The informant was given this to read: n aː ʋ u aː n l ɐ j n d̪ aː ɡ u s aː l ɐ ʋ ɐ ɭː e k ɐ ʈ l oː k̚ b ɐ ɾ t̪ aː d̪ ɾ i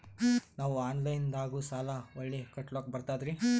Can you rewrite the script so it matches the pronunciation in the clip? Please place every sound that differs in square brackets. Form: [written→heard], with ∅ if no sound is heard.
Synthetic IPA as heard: n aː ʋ u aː n l ɐ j n d̪ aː ɡ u s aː l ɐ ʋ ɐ ɭː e k ɐ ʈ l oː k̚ b ɐ ɾ t̪ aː d̪ ɾ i